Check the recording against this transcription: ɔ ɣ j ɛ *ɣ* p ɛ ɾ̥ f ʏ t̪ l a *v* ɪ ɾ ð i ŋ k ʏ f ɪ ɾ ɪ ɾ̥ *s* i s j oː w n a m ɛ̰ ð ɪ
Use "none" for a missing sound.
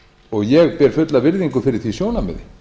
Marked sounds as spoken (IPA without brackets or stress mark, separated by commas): ɣ, v, θ